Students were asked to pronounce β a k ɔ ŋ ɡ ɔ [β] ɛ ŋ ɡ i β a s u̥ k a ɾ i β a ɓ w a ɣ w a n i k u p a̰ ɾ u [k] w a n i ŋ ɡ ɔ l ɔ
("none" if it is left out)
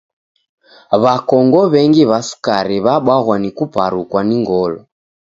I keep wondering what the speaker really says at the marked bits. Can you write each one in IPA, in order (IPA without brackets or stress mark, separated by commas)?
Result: β, k